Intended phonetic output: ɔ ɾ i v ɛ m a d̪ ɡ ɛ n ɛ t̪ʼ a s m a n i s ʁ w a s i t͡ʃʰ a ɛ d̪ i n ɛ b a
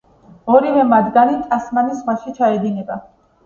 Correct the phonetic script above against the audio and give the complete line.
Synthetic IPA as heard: ɔ ɾ i v ɛ m a d̪ ɡ a n i t̪ʼ a s m a n i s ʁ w a ʃ i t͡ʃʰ a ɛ d̪ i n ɛ b a